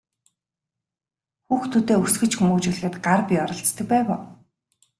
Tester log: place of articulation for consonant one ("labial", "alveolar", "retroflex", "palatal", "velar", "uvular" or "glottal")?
velar